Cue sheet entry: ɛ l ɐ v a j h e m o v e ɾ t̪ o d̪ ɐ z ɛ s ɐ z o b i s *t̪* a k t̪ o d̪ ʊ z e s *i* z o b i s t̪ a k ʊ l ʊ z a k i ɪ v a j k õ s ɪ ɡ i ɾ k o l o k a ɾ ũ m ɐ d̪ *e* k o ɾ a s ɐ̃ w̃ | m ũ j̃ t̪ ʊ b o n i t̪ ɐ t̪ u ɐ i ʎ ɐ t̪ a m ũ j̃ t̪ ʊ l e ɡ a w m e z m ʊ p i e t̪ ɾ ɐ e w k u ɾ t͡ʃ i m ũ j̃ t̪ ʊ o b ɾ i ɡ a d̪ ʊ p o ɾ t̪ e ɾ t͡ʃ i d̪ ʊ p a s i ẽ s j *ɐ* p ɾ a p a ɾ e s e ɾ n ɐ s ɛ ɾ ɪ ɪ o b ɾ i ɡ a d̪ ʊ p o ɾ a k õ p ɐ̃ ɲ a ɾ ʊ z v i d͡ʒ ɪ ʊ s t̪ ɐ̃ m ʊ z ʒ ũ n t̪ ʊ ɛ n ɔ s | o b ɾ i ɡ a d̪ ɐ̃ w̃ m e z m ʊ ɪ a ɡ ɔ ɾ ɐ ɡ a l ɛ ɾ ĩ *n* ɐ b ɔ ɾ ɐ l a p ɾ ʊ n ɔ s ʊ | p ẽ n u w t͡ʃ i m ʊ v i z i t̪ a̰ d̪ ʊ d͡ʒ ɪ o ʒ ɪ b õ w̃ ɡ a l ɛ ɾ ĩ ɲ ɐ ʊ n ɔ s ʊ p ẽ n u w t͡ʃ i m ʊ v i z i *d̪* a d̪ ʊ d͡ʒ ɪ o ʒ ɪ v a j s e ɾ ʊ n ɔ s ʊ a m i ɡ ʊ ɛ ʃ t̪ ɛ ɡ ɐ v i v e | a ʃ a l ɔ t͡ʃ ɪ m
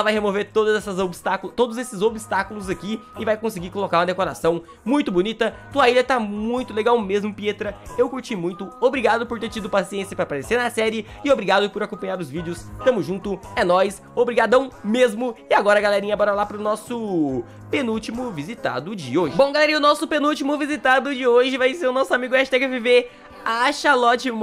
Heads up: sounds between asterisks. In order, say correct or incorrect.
correct, incorrect, correct, correct, incorrect, incorrect

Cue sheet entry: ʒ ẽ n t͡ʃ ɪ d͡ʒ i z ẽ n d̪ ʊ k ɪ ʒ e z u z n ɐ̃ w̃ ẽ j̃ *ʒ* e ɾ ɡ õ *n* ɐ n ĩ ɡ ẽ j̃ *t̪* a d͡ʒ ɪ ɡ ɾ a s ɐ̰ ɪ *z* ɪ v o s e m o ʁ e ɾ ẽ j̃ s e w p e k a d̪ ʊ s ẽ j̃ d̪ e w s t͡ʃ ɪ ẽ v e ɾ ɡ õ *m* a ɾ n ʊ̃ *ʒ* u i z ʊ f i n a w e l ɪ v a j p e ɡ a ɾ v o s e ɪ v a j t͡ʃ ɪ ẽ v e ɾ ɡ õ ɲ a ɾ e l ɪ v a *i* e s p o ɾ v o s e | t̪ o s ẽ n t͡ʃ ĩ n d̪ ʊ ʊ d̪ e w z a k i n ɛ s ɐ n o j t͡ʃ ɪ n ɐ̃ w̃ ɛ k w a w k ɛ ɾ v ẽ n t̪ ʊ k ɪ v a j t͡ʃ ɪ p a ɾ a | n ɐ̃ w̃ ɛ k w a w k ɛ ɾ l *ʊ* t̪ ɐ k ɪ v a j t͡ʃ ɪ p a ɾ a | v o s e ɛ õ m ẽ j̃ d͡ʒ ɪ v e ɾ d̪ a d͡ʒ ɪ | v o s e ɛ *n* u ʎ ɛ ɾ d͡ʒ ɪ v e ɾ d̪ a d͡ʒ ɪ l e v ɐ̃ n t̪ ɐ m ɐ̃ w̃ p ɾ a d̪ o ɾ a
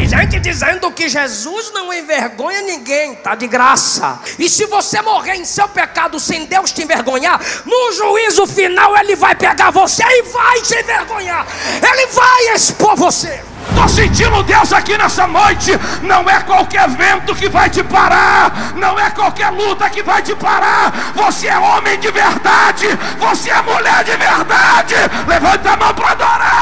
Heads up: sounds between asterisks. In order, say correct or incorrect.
incorrect, incorrect, correct, incorrect, incorrect, correct, incorrect, incorrect, incorrect

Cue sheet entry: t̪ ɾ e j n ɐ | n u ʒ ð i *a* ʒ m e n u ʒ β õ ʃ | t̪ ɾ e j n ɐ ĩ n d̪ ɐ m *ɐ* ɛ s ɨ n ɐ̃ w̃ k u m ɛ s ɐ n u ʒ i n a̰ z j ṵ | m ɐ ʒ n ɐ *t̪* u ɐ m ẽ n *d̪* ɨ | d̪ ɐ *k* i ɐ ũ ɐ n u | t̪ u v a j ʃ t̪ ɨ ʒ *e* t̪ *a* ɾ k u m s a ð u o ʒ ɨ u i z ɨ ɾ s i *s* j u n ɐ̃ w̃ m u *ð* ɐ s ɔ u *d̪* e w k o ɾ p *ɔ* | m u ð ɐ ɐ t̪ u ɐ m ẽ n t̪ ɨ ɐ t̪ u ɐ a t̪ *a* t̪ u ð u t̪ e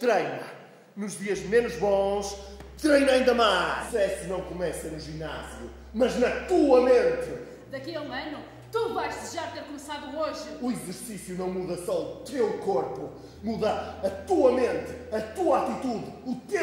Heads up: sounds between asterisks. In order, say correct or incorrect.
incorrect, incorrect, correct, incorrect, correct, incorrect, incorrect, correct, correct, incorrect, incorrect, incorrect

